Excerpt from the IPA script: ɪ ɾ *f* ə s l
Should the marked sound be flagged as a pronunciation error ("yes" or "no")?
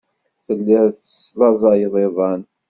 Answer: yes